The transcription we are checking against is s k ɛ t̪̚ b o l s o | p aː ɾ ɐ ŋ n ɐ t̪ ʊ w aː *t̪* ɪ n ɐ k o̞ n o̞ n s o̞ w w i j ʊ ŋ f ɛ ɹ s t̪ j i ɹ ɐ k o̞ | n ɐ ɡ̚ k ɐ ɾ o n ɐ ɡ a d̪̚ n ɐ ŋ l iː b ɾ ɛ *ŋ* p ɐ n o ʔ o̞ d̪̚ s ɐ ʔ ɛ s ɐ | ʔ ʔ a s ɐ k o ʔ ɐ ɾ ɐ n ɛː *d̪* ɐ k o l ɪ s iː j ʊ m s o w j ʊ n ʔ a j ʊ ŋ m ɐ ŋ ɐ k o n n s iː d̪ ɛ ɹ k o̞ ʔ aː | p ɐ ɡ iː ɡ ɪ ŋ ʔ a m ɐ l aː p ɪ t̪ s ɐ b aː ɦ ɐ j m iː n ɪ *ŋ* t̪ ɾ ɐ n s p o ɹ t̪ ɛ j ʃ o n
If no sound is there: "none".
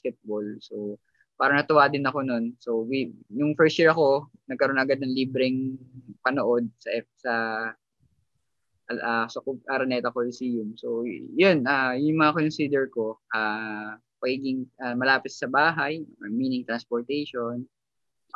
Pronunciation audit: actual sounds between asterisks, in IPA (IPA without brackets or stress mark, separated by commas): d̪, ŋ, t̪, ŋ